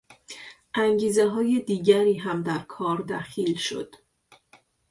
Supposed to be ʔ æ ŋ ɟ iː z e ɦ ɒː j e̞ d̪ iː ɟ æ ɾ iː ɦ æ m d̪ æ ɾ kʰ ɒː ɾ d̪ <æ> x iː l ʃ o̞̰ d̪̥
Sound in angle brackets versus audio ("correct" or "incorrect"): correct